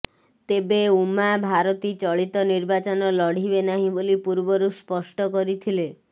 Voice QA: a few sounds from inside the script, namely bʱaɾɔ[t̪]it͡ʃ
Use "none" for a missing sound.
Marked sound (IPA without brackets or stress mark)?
t̪